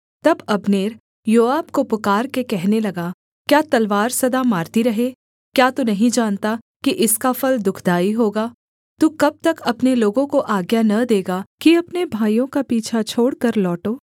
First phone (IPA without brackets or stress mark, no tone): t̪